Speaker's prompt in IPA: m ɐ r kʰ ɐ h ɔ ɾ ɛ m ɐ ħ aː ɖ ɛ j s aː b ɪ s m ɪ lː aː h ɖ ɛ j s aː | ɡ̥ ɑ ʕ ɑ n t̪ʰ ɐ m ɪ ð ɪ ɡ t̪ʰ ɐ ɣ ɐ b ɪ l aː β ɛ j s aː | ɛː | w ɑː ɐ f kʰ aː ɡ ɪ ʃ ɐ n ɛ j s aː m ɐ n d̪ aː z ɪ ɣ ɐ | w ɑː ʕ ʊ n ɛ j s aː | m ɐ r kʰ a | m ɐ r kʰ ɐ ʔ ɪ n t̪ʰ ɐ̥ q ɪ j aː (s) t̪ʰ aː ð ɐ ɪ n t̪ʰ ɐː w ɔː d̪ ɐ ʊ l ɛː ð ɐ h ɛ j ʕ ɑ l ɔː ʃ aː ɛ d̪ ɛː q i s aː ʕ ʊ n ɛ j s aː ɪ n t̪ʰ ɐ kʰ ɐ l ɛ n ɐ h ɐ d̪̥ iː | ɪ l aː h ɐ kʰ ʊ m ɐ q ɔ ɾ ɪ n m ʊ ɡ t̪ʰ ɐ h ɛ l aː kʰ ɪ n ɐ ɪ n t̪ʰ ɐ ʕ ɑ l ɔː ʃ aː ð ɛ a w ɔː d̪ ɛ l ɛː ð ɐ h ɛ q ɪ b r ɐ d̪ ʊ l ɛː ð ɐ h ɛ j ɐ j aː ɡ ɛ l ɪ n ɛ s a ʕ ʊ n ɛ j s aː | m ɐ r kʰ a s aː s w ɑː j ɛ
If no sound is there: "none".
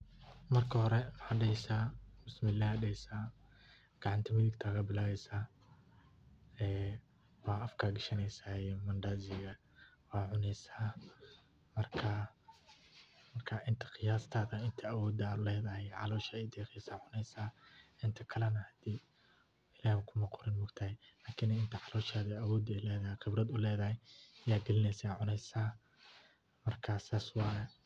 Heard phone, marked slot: s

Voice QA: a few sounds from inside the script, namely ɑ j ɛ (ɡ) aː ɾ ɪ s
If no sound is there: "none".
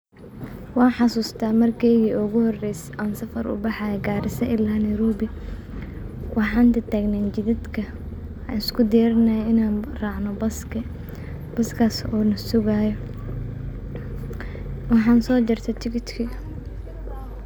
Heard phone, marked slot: ɡ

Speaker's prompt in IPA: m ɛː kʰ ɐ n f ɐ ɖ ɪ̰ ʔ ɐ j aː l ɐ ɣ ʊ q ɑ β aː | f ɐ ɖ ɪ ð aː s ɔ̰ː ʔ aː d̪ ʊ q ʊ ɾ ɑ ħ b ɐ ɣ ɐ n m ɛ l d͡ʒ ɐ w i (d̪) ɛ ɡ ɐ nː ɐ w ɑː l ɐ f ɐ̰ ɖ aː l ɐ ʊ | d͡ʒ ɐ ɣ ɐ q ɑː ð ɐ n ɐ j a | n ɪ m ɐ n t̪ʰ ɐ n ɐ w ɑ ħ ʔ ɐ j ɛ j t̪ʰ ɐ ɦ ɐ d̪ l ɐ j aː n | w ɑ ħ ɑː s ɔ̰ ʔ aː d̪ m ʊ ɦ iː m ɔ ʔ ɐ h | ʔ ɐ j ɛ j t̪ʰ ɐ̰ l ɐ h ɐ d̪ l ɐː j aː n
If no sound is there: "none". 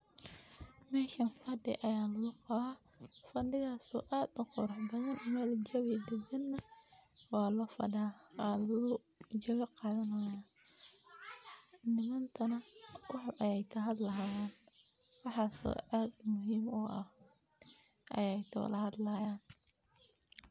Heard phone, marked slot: d̪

